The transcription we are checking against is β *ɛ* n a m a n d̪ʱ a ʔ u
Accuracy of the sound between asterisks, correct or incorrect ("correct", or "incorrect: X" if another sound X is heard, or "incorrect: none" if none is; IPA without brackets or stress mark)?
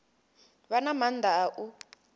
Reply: incorrect: a